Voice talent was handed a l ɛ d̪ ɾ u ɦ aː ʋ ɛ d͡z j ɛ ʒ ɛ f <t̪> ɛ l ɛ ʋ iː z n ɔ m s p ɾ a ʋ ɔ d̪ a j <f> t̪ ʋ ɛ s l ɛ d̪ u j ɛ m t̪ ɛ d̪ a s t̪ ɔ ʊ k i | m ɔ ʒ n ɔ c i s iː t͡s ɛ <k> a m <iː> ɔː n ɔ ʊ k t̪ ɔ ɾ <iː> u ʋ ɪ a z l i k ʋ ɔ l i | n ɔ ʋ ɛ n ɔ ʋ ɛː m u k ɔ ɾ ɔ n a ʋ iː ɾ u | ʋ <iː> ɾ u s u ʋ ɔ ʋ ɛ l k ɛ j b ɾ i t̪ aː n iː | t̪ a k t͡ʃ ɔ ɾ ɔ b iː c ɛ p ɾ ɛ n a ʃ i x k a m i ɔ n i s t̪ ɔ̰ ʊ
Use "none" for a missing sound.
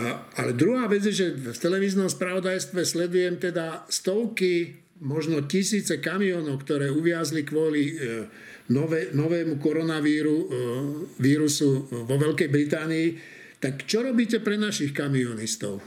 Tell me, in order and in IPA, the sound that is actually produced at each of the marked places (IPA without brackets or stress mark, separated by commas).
t̪, s, k, i, ɛː, iː